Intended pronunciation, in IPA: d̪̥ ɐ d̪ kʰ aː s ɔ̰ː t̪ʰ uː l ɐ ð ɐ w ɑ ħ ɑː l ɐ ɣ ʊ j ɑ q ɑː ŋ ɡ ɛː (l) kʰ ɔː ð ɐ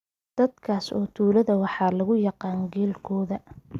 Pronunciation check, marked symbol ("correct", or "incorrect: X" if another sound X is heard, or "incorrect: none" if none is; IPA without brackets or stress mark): correct